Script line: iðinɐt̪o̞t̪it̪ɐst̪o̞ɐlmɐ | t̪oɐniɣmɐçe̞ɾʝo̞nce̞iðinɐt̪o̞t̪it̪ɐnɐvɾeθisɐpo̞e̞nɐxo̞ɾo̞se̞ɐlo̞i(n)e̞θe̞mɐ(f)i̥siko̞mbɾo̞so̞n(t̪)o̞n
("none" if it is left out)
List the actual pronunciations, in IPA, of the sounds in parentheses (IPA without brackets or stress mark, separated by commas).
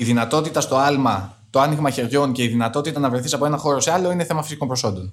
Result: n, f, d̪